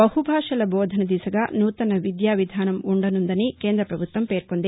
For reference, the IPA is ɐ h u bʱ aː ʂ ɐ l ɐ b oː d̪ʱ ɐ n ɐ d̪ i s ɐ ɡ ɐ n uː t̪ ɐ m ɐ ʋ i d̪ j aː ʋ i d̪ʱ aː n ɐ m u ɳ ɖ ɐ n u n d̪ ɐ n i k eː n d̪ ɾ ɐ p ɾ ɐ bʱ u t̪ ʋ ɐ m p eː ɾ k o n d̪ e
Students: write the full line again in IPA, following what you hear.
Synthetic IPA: ɐ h u bʱ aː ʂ ɐ l ɐ b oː d̪ʱ ɐ n ɐ d̪ i s ɐ ɡ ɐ n uː t̪ ɐ n ɐ ʋ i d̪ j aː ʋ i d̪ʱ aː n ɐ m u ɳ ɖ ɐ n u n d̪ ɐ n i k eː n d̪ ɾ ɐ p ɾ ɐ bʱ u t̪ ʋ ɐ m p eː ɾ k o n d̪ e